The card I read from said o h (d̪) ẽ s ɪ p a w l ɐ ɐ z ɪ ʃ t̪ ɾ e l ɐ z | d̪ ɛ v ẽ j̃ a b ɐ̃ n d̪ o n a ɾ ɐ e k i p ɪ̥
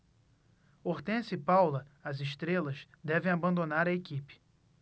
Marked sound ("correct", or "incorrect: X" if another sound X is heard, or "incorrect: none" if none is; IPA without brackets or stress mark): incorrect: t̪